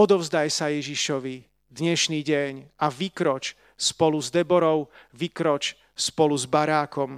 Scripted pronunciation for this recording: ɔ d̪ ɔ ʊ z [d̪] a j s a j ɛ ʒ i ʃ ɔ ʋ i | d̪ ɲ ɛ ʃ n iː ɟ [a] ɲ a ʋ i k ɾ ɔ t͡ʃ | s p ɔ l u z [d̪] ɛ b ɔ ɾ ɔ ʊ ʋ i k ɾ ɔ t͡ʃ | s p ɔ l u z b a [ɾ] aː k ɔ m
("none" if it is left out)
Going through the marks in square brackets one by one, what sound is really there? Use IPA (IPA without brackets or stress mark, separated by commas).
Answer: d̪, ɛ, d̪, ɾ